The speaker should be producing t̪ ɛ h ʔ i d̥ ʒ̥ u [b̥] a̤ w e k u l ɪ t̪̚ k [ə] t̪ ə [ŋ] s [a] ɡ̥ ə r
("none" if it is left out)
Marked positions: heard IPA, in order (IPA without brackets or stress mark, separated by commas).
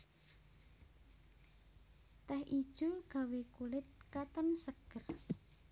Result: ɡ̥, a, n, ə